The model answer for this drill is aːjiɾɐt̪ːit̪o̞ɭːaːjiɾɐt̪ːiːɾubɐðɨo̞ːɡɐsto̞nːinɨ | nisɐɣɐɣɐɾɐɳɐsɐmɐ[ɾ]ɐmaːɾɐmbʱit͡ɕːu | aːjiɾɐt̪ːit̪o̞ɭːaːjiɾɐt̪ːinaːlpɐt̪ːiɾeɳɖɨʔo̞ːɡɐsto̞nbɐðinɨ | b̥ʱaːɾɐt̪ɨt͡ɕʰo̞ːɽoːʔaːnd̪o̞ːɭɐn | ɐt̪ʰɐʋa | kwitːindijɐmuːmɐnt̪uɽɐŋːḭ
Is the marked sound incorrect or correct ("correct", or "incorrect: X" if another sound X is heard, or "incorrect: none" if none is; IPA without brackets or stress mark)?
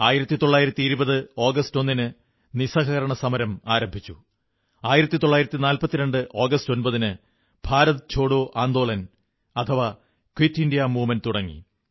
correct